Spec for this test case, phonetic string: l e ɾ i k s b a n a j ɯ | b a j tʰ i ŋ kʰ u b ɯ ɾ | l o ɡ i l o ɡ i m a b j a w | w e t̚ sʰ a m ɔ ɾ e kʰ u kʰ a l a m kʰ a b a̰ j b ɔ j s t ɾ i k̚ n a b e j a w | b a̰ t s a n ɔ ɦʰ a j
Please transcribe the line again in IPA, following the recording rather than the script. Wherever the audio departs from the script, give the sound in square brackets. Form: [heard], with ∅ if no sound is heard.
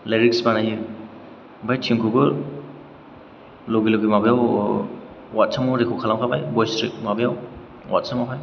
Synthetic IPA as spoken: l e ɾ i k s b a n a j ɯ | b a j tʰ i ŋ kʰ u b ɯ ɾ | l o ɡ i l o ɡ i m a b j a w | w [a] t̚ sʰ a m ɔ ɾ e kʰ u kʰ a l a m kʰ a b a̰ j b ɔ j s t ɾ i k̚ [m] a b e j a w | [w] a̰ t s a [m] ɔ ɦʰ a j

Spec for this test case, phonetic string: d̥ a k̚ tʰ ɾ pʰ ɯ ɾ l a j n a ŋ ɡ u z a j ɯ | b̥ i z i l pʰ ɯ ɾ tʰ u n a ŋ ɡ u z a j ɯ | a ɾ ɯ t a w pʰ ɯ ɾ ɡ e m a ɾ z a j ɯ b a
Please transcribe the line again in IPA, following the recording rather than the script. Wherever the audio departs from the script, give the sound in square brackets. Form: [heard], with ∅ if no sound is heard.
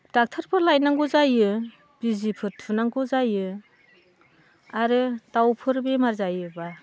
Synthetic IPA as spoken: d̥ a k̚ tʰ ɾ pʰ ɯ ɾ l a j n a ŋ ɡ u z a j ɯ | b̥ i z i [∅] pʰ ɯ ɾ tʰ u n a ŋ ɡ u z a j ɯ | a ɾ ɯ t a w pʰ ɯ ɾ [b] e m a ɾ z a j ɯ b a

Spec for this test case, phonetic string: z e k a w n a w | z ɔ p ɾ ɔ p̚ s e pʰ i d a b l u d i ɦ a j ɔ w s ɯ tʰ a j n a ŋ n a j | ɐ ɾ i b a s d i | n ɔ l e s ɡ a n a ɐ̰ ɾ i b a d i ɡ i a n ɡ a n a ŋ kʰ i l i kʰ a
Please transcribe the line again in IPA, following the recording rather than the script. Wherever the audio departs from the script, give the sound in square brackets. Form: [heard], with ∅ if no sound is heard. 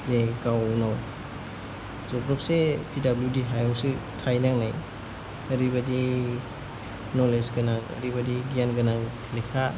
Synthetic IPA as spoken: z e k a w n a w | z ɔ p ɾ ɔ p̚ s e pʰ i d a b l u d i ɦ a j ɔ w s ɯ tʰ a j n a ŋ n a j | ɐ ɾ i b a [∅] d i | n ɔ l e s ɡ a n a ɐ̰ ɾ i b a d i ɡ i a n ɡ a n a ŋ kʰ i l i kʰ a

